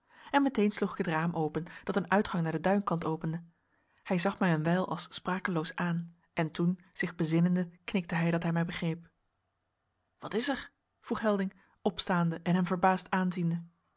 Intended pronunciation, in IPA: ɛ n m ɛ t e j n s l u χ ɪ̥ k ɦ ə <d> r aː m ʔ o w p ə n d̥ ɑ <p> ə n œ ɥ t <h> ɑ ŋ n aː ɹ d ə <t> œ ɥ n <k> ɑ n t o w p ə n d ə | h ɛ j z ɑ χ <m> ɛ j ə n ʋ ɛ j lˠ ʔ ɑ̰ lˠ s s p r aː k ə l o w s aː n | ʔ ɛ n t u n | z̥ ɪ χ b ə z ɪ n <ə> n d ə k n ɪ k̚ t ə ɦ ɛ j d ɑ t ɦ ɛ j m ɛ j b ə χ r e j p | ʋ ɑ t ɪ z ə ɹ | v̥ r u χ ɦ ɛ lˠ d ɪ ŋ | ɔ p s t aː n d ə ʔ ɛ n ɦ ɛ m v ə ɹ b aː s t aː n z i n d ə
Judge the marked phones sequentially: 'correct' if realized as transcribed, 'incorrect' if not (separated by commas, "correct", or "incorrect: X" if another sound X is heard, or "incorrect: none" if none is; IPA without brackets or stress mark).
incorrect: t, incorrect: t, incorrect: χ, incorrect: d, correct, correct, correct